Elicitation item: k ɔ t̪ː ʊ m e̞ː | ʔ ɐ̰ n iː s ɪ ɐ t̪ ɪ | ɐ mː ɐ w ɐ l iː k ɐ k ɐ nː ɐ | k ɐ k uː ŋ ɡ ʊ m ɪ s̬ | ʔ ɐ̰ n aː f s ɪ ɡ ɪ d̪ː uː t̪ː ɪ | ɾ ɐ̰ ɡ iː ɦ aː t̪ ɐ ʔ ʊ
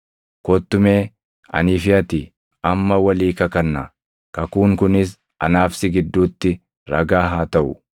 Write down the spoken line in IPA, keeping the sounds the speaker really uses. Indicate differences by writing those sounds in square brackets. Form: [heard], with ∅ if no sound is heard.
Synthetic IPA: k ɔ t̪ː ʊ m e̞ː | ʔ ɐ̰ n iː [f] ɪ ɐ t̪ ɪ | ɐ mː ɐ w ɐ l iː k ɐ k ɐ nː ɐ | k ɐ k uː ŋ [k] ʊ [n] ɪ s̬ | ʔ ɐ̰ n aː f s ɪ ɡ ɪ d̪ː uː t̪ː ɪ | ɾ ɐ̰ ɡ [aː] ɦ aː t̪ ɐ ʔ ʊ